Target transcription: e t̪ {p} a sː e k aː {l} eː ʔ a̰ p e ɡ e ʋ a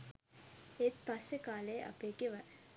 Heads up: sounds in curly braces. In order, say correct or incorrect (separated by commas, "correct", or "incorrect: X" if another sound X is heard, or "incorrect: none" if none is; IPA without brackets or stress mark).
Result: correct, correct